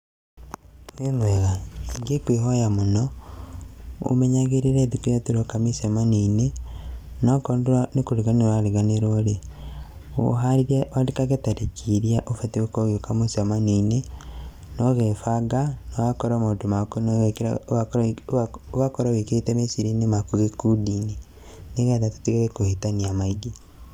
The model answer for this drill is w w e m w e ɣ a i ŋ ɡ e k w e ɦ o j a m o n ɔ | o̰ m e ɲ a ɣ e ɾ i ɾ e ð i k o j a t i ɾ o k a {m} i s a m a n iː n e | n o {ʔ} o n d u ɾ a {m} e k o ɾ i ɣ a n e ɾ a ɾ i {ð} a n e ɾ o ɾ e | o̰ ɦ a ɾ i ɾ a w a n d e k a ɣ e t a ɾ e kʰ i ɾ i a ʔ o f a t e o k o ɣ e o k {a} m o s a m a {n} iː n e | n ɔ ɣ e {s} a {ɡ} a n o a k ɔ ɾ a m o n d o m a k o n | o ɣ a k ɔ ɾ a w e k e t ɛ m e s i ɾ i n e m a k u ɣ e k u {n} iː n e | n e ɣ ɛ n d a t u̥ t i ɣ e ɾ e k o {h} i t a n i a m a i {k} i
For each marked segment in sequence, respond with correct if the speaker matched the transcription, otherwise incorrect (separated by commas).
correct, incorrect, incorrect, incorrect, correct, correct, incorrect, correct, incorrect, correct, incorrect